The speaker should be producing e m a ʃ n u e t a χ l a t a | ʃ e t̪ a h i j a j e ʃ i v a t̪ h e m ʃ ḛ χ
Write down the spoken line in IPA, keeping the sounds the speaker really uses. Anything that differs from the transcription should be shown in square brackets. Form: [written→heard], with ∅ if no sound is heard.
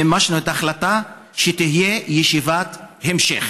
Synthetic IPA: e m a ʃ n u e t a χ l a t a | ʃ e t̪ [a→i] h i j [a→e] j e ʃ i v a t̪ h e m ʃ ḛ χ